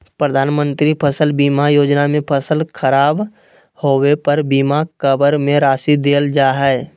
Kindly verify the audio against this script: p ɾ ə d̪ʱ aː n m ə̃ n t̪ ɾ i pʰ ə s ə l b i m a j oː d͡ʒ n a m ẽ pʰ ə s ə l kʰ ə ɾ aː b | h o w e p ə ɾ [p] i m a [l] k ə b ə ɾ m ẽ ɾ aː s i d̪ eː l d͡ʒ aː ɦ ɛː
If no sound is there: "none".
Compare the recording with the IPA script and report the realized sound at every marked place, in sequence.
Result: b, none

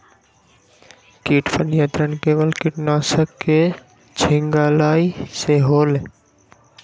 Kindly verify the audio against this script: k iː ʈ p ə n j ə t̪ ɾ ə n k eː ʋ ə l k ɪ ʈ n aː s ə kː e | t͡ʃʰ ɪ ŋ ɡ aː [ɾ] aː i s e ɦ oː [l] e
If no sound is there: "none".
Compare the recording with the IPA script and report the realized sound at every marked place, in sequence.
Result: l, l

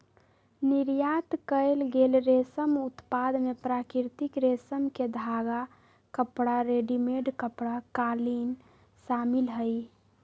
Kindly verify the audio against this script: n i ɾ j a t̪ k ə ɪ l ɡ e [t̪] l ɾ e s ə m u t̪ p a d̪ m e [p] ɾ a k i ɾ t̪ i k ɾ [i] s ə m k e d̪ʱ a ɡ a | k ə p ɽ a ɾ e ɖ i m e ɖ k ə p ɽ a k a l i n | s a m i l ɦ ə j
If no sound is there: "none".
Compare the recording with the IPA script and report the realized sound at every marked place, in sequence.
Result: none, p, e

